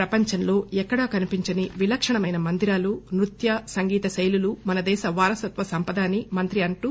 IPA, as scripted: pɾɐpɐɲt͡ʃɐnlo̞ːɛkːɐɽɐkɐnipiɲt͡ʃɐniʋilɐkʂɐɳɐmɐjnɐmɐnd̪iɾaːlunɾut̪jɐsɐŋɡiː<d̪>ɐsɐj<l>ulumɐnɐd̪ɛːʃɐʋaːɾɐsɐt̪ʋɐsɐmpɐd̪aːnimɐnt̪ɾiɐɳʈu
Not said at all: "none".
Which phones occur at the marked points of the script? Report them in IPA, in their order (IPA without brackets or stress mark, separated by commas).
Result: t̪, l